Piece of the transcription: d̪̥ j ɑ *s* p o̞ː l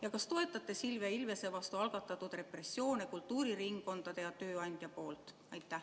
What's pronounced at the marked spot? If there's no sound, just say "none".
none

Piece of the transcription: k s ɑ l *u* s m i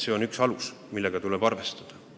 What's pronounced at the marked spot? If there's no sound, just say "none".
u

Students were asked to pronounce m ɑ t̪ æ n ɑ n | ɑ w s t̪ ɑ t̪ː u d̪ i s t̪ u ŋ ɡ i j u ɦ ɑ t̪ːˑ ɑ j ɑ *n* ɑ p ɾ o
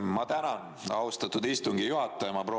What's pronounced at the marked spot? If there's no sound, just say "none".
m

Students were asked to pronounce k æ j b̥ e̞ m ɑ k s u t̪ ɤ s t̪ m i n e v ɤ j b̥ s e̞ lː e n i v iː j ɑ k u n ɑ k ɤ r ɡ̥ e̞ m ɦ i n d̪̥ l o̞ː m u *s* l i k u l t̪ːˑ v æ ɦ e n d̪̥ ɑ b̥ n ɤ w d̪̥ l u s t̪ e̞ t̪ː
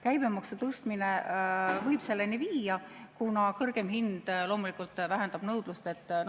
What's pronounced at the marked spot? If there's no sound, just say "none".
none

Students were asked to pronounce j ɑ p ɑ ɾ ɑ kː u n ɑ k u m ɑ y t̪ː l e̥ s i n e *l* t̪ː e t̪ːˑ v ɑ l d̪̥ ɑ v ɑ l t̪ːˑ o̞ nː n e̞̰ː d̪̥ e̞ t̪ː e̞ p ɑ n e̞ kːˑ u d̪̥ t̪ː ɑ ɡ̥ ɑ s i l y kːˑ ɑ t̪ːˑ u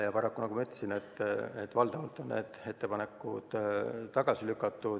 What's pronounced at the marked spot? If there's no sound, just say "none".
none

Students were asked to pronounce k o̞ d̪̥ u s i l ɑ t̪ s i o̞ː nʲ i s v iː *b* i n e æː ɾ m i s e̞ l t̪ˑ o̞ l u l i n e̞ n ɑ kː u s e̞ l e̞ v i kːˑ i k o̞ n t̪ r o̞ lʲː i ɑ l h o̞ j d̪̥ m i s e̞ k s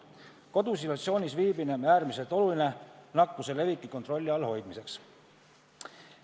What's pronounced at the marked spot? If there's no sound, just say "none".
b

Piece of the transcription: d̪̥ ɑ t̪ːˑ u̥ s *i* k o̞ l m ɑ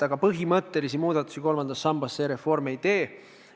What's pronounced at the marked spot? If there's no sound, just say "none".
i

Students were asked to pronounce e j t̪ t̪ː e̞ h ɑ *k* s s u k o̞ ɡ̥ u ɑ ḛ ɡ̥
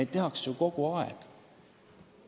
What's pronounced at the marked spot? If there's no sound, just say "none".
k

